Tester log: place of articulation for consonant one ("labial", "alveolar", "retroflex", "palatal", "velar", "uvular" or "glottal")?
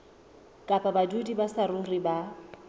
velar